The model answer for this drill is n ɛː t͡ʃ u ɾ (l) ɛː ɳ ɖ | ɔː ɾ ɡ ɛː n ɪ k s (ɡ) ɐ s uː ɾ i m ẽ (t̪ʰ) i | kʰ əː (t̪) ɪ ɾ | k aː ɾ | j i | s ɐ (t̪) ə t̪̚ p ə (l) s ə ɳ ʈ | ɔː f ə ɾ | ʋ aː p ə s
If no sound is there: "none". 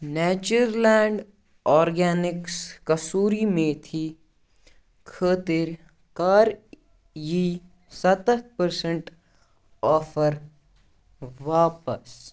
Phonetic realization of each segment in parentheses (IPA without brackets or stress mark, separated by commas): l, k, t̪ʰ, t̪, t̪, ɾ